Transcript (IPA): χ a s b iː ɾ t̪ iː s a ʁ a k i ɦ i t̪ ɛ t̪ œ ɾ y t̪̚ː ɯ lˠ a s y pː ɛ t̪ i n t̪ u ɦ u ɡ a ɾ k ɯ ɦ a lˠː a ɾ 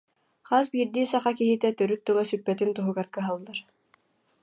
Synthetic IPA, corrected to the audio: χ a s b iː ɾ d̪ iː s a χ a k i ɦ i t̪ ɛ t̪ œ ɾ y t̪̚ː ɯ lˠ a s y pː ɛ t̪ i n t̪ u ɦ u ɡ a ɾ k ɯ ɦ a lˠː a ɾ